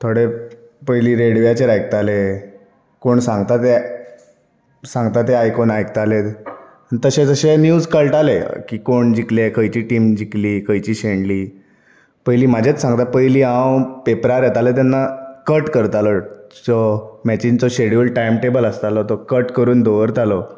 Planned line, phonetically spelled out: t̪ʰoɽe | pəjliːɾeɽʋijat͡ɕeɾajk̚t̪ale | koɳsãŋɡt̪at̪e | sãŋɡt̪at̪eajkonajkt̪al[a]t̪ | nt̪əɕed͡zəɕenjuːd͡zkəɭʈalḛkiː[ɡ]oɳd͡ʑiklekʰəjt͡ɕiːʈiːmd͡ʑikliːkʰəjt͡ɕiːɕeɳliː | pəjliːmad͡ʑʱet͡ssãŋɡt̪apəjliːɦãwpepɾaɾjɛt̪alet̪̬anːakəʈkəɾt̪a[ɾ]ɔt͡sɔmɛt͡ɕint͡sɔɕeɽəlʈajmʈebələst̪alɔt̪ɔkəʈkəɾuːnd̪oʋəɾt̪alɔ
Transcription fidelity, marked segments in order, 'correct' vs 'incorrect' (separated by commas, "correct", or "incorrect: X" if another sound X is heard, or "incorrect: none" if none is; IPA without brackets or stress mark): incorrect: e, incorrect: k, incorrect: l